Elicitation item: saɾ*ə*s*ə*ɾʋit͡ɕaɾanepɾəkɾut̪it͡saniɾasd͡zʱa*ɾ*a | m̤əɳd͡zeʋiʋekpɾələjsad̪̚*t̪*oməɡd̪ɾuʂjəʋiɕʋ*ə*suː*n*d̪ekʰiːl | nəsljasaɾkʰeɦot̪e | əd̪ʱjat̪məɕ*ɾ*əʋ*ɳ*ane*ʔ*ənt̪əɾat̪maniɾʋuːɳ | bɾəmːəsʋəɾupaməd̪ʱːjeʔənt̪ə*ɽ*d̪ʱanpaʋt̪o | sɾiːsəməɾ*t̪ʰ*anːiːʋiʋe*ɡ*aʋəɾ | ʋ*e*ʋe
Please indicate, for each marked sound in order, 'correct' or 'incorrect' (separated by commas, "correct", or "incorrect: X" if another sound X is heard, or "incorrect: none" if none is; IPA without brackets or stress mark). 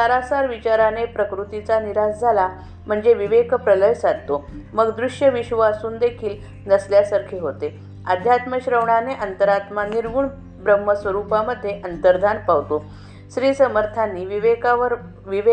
incorrect: a, incorrect: a, incorrect: l, correct, incorrect: a, correct, correct, correct, correct, incorrect: ɾ, correct, incorrect: k, incorrect: i